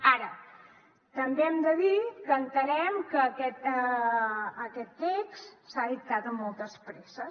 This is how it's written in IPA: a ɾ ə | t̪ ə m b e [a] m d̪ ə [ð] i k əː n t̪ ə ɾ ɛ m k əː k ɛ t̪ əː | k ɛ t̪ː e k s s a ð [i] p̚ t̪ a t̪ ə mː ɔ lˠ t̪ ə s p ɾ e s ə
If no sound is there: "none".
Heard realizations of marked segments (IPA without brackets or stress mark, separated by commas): ɛ, ð, i